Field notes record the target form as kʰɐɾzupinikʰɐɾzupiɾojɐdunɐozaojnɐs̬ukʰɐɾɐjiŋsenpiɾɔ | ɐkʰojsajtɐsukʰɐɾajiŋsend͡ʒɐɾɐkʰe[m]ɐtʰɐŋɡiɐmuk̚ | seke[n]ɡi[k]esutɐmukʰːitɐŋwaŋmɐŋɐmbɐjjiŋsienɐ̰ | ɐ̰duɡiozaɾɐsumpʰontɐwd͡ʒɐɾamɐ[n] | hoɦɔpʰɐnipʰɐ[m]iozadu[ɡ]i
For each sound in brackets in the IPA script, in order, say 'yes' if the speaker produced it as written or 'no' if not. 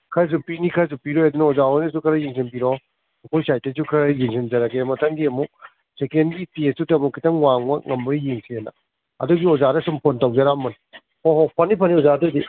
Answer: yes, yes, no, yes, no, no

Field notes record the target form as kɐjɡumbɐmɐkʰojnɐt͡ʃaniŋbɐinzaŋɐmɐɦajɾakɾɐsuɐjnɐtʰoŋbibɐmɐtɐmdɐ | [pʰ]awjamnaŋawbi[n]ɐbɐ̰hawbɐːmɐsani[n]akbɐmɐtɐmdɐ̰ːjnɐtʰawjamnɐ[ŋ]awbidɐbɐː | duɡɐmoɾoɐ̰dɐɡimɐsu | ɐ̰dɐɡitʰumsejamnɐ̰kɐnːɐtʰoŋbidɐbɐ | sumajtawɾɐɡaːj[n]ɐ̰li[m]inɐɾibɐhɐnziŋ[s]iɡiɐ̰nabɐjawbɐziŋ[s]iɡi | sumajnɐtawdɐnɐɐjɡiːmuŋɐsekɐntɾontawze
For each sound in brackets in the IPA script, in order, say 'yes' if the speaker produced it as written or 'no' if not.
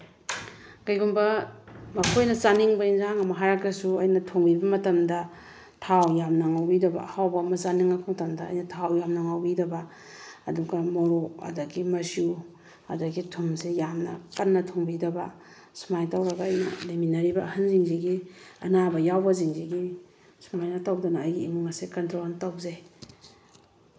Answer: no, no, no, yes, yes, yes, no, no

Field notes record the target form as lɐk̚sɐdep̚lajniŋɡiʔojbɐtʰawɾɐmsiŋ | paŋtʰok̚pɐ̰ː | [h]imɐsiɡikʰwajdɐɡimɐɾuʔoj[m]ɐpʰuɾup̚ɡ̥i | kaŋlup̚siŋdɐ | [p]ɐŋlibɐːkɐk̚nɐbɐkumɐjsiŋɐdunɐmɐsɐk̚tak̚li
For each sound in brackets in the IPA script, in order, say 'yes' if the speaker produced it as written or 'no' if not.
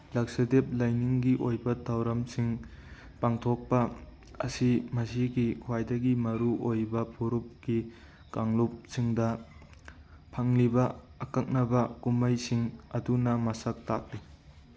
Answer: no, no, no

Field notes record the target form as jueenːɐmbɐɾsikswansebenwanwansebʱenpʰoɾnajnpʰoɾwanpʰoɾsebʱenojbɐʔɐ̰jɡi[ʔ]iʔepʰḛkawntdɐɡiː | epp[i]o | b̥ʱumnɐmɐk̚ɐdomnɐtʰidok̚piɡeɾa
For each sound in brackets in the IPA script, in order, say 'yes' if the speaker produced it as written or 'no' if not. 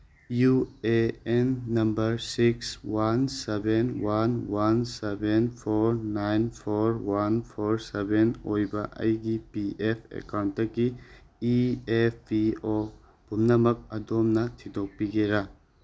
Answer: no, yes

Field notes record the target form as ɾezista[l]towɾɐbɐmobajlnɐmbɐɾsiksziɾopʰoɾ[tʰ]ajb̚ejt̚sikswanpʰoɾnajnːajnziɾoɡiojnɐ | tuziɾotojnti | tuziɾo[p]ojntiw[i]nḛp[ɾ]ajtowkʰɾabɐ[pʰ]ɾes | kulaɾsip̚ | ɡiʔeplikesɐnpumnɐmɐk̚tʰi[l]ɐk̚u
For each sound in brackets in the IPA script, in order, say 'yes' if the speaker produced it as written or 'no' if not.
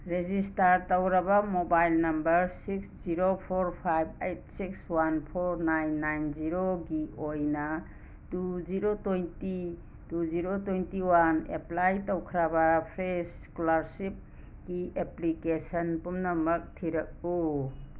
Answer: no, no, no, no, no, yes, no

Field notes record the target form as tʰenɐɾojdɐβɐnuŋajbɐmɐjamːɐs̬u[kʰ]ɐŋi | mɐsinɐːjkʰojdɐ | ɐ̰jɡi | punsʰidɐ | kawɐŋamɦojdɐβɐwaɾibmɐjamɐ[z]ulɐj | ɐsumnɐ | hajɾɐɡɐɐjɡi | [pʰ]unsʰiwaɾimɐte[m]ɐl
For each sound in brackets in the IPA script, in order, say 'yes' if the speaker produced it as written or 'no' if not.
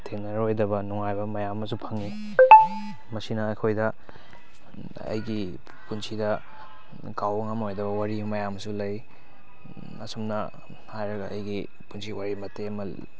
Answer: no, no, no, yes

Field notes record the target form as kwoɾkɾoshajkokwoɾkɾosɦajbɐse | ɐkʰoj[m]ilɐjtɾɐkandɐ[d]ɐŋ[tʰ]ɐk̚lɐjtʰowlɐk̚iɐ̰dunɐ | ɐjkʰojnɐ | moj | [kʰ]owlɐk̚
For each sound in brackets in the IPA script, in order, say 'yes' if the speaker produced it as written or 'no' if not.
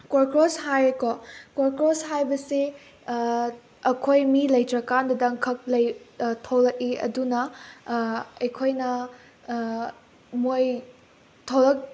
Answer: yes, yes, no, no

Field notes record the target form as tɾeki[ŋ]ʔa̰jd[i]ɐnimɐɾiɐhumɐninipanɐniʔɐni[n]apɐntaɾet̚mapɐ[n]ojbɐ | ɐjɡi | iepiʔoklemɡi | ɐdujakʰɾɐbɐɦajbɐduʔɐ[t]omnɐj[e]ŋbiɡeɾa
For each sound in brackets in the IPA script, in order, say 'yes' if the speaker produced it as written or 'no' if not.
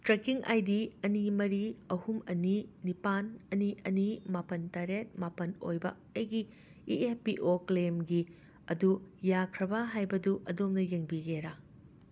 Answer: yes, yes, no, yes, no, yes

